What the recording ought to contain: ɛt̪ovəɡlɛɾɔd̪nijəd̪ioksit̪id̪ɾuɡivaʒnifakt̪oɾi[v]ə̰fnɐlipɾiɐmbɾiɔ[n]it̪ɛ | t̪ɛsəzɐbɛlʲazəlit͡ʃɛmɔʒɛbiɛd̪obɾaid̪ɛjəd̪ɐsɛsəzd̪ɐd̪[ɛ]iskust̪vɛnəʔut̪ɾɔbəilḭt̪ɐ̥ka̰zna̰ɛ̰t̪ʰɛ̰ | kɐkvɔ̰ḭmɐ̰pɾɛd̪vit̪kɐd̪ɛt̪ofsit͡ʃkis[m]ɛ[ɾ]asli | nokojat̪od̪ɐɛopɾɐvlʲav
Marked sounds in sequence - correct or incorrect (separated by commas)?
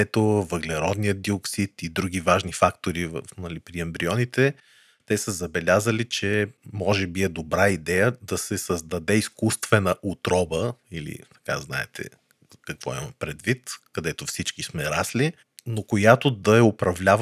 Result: correct, correct, correct, correct, correct